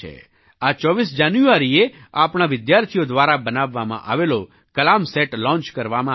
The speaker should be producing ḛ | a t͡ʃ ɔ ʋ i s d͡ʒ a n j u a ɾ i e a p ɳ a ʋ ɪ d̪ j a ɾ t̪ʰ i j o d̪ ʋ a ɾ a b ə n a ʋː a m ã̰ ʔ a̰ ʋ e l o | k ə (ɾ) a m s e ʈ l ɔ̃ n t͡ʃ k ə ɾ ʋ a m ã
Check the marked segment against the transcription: incorrect: l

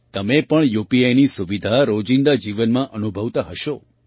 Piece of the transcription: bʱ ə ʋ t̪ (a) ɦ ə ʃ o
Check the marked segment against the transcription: correct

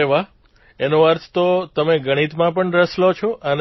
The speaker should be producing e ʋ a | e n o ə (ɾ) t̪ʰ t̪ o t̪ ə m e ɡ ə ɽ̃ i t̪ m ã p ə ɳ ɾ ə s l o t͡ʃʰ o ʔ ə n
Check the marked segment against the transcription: correct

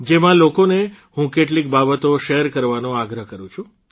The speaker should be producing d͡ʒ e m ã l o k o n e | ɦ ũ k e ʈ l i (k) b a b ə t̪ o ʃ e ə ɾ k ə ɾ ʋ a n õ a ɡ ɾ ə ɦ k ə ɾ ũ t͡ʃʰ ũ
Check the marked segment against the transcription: correct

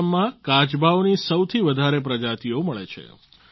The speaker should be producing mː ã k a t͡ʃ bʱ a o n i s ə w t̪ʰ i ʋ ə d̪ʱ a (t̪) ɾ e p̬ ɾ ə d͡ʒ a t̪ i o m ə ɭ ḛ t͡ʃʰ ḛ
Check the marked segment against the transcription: incorrect: none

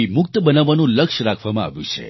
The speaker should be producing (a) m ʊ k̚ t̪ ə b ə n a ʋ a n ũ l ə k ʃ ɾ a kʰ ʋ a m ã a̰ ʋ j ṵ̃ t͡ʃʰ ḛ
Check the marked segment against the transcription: incorrect: i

